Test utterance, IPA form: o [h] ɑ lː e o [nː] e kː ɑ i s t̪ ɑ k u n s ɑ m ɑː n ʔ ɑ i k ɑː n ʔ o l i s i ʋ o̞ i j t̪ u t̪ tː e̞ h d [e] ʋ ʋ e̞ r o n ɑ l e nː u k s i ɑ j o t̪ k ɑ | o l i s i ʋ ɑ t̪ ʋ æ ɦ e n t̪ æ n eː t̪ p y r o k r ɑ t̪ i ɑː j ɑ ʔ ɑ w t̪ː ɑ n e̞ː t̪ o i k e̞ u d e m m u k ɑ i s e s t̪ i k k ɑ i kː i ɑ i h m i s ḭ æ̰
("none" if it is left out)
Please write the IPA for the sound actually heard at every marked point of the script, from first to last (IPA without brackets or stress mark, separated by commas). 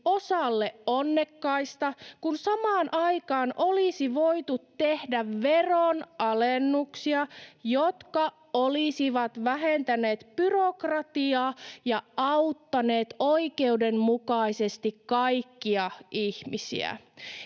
s, nː, æ